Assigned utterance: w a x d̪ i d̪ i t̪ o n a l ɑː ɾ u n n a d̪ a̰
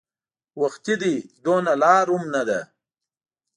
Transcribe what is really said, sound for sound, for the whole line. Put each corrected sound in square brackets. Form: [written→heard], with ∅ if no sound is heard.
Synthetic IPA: w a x [d̪→t̪] i d̪ i [t̪→d̪] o n a l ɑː ɾ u [n→m] n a d̪ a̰

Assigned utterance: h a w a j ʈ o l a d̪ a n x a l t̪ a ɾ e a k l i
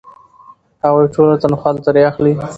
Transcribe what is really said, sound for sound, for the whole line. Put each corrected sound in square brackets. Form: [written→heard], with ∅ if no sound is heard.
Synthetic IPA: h a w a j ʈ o l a [d̪→t̪] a n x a l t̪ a ɾ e a [k→x] l i

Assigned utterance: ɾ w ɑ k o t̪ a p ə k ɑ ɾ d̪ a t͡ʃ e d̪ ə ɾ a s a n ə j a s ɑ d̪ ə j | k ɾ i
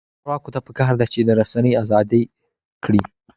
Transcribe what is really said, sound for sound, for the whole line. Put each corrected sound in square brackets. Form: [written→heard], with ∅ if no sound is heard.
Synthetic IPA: ɾ w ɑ k o t̪ a p ə k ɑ ɾ d̪ a t͡ʃ e d̪ ə ɾ a s a n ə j a [s→z] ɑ d̪ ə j | k [ɾ→ɽ] i

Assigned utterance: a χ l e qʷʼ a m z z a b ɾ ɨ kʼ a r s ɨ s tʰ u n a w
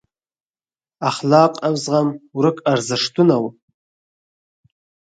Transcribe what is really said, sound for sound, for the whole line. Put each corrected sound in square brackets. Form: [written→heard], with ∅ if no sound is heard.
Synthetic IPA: a χ l [e→a] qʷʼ a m z [z→ʁ] a [b→m] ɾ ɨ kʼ a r [s→z] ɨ [s→ʂ] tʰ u n a w

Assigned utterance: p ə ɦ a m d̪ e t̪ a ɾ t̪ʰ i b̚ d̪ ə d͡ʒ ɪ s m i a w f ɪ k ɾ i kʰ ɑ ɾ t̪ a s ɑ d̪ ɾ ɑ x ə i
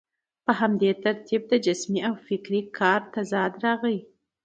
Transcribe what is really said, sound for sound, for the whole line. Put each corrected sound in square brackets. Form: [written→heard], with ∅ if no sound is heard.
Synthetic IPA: p ə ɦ a m d̪ e t̪ a ɾ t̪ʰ i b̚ d̪ ə d͡ʒ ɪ s m i a w f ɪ k ɾ i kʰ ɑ ɾ t̪ a [s→z] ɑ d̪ ɾ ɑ [x→ɣ] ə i

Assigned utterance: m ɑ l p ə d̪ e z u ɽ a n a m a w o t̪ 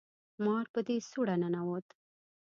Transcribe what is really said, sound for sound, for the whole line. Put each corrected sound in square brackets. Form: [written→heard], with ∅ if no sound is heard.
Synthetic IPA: m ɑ [l→ɾ] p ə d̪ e [z→s] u ɽ a n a [m→n] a w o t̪

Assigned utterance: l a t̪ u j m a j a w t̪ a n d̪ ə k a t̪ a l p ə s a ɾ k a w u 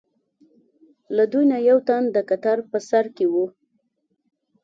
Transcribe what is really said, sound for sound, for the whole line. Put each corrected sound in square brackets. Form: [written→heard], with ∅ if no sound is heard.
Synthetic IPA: l a [t̪→d̪] u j [m→n] a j a w t̪ a n d̪ ə k a t̪ a [l→ɾ] p ə s a ɾ k [a→e] w u

